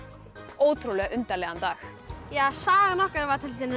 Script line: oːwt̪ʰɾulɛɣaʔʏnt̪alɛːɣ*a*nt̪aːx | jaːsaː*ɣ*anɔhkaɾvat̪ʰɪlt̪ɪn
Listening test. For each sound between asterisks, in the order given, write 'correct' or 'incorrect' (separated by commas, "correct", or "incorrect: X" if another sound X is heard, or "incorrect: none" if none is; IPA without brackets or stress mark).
correct, correct